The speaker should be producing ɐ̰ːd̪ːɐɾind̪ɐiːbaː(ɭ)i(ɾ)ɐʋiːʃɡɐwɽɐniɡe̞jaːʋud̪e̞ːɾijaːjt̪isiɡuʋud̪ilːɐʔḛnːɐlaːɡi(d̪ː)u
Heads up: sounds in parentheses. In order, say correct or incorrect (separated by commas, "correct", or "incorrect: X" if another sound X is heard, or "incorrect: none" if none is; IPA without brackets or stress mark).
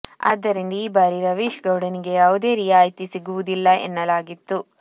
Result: incorrect: ɾ, correct, incorrect: t̪ː